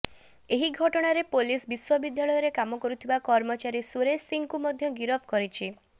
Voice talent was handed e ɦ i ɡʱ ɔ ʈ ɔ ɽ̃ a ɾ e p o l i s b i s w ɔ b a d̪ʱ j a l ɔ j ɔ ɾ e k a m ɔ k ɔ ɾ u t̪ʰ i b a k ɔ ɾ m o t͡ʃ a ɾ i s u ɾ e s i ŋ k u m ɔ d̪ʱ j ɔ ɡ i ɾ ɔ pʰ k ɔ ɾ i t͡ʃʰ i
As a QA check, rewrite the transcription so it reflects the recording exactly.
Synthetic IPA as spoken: e ɦ i ɡʱ ɔ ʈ ɔ ɽ̃ a ɾ e p o l i s b i s w ɔ b i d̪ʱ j a ɭ ɔ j ɔ ɾ e k a m ɔ k ɔ ɾ u t̪ʰ i b a k ɔ ɾ m ɔ t͡ʃ a ɾ i s u ɾ e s i ŋ k u m ɔ d̪ʱ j ɔ ɡ i ɾ ɔ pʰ k ɔ ɾ i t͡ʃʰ i